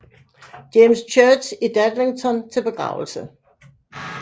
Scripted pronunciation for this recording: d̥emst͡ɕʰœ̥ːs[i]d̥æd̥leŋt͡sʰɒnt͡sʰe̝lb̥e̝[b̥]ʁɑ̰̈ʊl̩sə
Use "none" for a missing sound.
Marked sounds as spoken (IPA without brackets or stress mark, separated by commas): i, ɡ̥